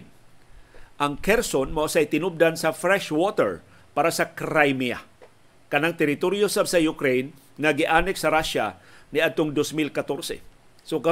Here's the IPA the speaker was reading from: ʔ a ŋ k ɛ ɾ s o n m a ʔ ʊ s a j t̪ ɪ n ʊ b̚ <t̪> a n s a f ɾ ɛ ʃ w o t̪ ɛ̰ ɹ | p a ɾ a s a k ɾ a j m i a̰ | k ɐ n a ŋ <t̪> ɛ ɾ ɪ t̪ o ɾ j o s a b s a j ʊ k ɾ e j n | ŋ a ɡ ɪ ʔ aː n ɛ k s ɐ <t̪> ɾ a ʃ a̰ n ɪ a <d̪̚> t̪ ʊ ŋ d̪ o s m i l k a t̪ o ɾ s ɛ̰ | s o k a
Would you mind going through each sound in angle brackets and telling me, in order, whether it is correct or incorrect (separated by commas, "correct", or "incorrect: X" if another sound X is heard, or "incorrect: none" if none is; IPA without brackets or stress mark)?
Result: incorrect: d̪, correct, incorrect: none, correct